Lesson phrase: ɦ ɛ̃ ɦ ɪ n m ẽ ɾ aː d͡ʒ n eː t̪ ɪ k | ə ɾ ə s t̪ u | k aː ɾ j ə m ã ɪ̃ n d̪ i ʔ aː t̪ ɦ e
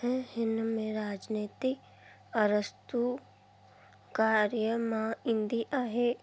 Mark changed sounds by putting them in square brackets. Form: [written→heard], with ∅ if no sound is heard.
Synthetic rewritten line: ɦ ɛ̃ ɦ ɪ n m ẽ ɾ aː d͡ʒ n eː t̪ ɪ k | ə ɾ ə s t̪ u | k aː ɾ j ə m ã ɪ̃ n d̪ i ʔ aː [t̪→∅] ɦ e